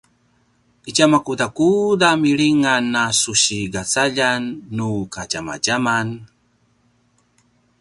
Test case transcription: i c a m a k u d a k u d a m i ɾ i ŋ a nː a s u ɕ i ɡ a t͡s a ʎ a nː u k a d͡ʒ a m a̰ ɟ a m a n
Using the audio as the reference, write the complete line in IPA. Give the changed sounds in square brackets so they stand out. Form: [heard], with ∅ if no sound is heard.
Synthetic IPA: i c a m a k u d a k u d a m i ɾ i ŋ a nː a s u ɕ i ɡ a t͡s a ʎ a nː u k a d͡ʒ a m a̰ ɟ a m a n